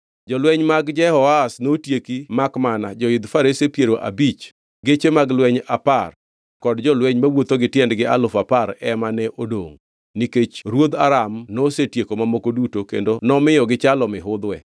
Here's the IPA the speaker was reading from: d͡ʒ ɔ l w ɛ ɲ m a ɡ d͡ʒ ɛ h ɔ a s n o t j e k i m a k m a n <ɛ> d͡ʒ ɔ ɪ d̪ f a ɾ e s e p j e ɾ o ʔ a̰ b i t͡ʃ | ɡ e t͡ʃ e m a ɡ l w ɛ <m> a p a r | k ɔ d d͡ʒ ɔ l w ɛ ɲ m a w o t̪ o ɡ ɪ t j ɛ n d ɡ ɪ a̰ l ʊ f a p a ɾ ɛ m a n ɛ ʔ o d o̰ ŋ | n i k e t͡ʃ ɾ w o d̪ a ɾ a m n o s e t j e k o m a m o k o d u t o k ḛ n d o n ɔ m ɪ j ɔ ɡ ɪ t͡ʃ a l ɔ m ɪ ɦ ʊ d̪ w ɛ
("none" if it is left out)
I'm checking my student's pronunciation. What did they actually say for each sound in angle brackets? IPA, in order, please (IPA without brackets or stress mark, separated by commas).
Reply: a, ɲ